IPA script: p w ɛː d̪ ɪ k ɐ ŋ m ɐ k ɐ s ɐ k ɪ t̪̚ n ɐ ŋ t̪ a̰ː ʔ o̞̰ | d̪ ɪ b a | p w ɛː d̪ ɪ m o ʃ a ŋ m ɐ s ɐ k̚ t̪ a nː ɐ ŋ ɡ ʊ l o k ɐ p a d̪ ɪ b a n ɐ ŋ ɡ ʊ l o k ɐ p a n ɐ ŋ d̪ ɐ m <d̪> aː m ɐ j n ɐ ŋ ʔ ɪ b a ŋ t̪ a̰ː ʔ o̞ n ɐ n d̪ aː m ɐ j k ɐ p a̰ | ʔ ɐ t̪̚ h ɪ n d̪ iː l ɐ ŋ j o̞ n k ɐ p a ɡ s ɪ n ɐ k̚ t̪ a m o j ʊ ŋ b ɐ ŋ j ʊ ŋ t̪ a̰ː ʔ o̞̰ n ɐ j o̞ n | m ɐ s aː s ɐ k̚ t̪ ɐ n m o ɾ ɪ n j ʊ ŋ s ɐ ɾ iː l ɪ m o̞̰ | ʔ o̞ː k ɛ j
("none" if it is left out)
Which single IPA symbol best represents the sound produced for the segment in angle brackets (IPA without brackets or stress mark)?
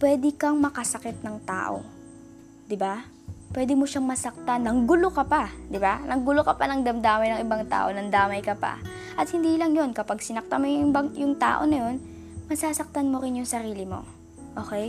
d̪